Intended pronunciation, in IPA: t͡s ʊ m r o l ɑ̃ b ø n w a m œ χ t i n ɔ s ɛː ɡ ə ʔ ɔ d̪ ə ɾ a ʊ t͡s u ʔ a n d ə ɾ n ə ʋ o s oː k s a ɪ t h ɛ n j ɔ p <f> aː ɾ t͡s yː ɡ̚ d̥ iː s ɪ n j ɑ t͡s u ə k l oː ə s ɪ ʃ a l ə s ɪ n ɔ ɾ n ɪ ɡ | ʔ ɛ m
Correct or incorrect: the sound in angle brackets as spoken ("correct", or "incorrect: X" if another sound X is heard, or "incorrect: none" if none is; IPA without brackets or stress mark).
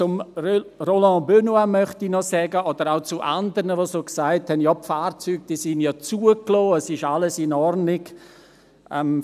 correct